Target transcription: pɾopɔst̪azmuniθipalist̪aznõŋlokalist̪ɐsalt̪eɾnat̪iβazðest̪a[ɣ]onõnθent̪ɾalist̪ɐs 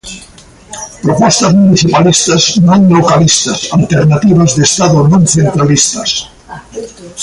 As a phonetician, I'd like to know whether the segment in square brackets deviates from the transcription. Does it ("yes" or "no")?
yes